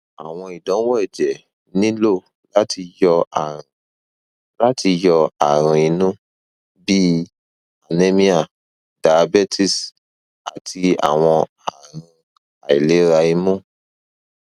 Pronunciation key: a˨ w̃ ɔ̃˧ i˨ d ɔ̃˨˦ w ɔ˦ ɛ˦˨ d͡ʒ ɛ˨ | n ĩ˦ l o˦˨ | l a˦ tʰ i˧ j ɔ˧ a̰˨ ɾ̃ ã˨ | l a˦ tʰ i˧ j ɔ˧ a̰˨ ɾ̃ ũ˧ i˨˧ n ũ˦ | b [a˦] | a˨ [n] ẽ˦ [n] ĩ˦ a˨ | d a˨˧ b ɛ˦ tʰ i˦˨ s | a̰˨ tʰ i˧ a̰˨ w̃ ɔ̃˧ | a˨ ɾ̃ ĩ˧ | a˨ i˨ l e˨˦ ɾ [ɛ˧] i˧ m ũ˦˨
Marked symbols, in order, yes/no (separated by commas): no, yes, no, no